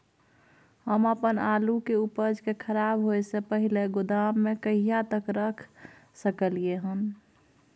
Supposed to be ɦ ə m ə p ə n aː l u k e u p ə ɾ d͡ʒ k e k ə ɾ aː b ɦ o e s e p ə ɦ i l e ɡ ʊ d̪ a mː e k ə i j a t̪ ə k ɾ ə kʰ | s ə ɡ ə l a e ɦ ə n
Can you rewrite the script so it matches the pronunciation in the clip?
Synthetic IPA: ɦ ə m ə p ə n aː l u k e u p ə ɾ d͡ʒ k e kʰ ə ɾ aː b ɦ o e s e p ə ɦ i l e ɡ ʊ d̪ a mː e k ə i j a t̪ ə k ɾ ə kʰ | s ə k ə l i e ɦ ə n